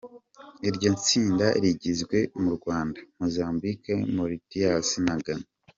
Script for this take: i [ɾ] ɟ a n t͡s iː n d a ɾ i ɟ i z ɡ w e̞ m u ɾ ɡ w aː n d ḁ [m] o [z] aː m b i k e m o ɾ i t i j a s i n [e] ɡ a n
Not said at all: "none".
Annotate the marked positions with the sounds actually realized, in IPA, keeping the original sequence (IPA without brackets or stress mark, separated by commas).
ɾ, m, z, a